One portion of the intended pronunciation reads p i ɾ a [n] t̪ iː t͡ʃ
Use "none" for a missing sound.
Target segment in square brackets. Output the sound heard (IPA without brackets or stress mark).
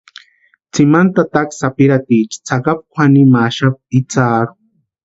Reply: none